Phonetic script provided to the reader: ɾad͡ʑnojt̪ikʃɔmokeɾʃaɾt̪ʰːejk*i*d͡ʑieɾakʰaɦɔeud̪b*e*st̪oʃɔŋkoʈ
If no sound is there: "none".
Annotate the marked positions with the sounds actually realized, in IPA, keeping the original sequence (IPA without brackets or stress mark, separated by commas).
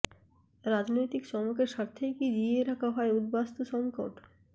i, a